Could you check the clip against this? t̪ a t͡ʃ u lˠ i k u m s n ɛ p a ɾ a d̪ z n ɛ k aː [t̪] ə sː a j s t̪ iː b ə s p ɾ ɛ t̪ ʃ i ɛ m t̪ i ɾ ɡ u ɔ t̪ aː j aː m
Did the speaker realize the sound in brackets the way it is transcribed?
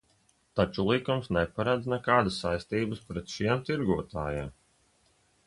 no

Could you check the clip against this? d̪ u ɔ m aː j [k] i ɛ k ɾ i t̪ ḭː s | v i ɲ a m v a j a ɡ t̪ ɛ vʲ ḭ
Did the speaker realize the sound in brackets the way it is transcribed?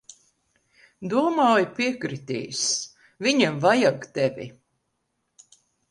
no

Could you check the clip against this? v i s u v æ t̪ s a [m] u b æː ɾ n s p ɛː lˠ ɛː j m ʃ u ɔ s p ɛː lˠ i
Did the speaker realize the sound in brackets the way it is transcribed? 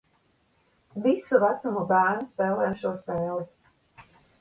yes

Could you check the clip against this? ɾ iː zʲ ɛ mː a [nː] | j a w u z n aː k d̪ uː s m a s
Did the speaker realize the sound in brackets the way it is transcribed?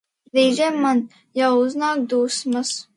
no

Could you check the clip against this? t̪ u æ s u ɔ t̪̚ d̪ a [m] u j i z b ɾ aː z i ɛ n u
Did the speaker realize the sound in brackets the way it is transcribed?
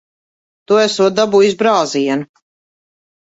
no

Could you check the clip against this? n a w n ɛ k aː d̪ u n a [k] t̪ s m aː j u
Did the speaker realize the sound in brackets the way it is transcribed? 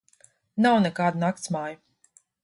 yes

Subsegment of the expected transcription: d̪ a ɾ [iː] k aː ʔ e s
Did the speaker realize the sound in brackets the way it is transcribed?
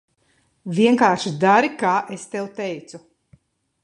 no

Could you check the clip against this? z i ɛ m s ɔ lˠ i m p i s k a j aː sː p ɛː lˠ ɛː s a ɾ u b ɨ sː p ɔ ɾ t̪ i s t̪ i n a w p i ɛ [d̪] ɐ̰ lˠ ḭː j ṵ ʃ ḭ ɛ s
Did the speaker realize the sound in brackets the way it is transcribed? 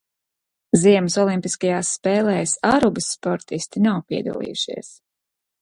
yes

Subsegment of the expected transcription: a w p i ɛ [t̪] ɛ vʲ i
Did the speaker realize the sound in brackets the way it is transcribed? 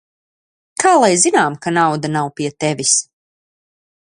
yes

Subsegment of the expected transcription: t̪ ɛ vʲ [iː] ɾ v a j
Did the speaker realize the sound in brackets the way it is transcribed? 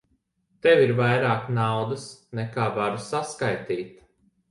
no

